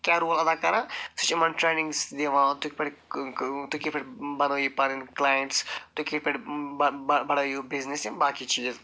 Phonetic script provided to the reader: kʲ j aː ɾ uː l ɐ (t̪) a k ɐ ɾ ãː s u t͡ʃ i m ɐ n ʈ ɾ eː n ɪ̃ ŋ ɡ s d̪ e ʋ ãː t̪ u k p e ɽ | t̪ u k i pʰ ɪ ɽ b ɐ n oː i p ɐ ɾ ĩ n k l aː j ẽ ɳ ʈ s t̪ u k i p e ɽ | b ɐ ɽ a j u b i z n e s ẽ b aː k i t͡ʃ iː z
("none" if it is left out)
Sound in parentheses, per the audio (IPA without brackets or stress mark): d̪